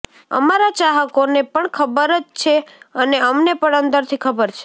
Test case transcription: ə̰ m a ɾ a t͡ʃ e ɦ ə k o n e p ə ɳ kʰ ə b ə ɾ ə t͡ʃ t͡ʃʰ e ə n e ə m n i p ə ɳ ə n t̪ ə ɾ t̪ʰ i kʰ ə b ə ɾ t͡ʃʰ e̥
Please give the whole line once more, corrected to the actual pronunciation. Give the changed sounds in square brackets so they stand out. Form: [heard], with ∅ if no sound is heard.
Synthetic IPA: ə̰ m a ɾ a t͡ʃ [a] ɦ ə k o n e p ə ɳ kʰ ə b ə ɾ ə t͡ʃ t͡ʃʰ e ə n e ə m n [e] p ə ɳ ə n [d̪] ə ɾ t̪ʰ i kʰ ə b ə ɾ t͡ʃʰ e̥